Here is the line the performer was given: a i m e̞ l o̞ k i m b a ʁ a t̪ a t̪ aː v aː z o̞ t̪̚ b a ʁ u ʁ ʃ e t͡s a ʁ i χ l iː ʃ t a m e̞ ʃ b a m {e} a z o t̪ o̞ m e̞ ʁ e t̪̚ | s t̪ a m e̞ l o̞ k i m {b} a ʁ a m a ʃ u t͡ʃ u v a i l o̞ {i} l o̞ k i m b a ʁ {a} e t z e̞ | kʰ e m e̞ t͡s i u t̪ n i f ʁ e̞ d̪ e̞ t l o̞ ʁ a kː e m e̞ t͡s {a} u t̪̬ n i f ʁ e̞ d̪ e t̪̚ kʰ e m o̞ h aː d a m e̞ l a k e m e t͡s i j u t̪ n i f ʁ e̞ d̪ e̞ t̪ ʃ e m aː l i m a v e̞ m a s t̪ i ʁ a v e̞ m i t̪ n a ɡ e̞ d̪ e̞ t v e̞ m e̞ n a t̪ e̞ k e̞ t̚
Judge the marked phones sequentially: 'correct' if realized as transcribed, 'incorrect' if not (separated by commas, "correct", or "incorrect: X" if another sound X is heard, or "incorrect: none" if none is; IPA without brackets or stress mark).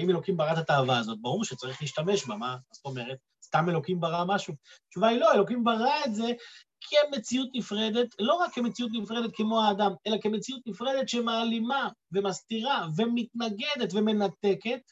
incorrect: a, correct, incorrect: e, correct, incorrect: i